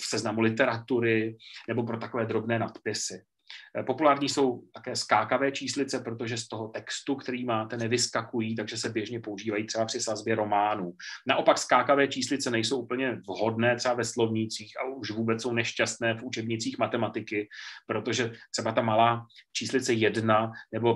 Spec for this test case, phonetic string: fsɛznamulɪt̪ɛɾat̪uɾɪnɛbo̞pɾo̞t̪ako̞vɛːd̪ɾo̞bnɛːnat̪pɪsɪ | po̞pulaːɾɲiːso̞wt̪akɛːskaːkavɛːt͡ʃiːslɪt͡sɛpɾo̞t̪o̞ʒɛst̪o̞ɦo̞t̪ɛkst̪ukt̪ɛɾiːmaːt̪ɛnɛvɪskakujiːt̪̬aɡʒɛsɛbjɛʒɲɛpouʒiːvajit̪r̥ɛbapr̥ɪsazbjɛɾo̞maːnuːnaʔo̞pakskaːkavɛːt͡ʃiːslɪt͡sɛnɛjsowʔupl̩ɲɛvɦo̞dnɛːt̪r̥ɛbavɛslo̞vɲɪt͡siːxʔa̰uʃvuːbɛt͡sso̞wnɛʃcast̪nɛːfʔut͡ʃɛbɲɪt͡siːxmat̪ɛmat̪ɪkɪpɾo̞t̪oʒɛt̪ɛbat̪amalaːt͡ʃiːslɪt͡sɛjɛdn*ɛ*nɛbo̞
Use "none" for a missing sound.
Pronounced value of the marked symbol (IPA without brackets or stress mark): a